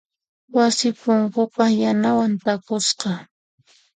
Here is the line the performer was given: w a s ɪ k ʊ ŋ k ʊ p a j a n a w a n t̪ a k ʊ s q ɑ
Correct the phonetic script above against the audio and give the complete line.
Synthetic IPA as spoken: w a s ɪ p ʊ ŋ k ʊ p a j a n a w a n t̪ a k ʊ s q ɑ

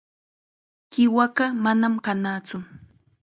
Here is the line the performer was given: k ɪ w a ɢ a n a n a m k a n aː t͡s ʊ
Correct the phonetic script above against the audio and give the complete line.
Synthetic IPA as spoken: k ɪ w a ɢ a m a n a m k a n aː t͡s ʊ

